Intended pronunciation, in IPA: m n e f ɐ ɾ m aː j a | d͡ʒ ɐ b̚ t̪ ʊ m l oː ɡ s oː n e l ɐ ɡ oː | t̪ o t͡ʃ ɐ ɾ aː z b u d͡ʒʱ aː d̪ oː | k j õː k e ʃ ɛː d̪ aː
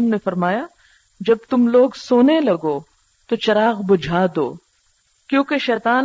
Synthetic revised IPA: m n e f ɐ ɾ m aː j a | d͡ʒ ɐ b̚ t̪ ʊ m l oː ɡ s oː n e l ɐ ɡ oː | t̪ o t͡ʃ ɐ ɾ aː ɣ b ʊ d͡ʒʱ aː d̪ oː | k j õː k e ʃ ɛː t̪ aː